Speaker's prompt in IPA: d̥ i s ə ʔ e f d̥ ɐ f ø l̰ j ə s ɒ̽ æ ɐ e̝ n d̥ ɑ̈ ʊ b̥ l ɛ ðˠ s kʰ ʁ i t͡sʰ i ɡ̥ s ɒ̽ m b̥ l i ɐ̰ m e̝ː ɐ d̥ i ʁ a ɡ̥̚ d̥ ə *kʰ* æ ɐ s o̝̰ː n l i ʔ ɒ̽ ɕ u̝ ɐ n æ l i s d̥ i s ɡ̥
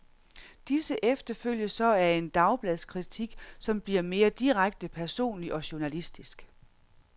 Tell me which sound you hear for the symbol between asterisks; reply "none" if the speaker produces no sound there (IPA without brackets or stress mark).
pʰ